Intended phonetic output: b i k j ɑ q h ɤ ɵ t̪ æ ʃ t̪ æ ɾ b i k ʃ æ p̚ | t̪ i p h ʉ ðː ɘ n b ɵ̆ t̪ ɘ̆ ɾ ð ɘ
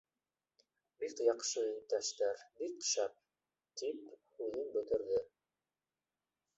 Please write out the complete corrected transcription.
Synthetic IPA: b i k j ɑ q ʃ ɤ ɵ t̪ æ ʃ t̪ æ ɾ b i k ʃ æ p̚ | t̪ i p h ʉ ð ɘ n b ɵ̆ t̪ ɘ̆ ɾ ð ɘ